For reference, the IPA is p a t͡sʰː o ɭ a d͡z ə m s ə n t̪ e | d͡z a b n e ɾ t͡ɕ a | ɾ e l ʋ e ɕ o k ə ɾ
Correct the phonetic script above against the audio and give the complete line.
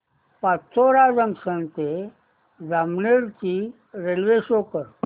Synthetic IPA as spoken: p a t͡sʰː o ɾ a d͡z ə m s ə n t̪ e | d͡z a m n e ɾ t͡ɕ i | ɾ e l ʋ e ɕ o k ə ɾ